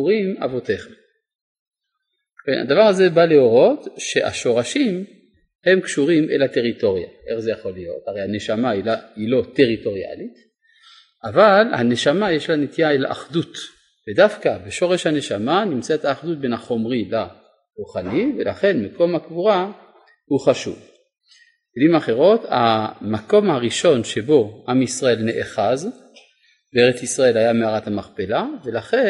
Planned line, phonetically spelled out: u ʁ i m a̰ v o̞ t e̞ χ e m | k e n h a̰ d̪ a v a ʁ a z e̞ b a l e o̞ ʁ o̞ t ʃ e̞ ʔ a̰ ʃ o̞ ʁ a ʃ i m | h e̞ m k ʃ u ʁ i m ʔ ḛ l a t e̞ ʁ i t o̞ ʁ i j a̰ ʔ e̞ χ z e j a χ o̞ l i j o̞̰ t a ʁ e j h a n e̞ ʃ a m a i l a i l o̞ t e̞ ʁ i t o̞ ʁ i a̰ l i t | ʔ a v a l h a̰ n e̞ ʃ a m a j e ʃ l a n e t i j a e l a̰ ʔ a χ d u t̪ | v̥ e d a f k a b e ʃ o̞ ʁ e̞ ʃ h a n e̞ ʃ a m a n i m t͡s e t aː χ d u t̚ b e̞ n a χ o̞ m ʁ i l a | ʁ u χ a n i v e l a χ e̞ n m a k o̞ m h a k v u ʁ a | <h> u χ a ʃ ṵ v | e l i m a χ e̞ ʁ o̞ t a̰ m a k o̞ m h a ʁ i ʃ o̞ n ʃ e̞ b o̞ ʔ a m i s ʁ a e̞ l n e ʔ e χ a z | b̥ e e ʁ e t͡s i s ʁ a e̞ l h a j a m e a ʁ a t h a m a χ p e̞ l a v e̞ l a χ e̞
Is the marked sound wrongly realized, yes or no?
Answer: no